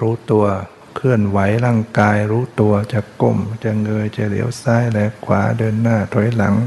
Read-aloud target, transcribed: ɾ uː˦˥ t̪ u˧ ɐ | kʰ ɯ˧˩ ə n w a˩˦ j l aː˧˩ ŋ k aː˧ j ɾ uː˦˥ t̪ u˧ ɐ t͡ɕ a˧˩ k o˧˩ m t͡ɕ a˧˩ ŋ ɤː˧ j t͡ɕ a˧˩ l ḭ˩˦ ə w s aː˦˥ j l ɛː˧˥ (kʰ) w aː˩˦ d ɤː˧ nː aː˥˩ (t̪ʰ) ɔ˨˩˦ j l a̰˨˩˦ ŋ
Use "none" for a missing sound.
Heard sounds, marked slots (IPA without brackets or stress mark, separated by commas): kʰ, t̪ʰ